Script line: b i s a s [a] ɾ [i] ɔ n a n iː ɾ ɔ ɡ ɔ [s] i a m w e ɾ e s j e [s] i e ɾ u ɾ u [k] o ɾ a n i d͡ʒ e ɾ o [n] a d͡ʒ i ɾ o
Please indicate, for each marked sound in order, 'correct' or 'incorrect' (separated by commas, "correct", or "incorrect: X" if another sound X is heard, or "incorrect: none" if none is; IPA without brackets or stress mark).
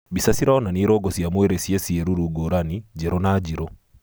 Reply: incorrect: i, incorrect: a, correct, correct, incorrect: ɡ, correct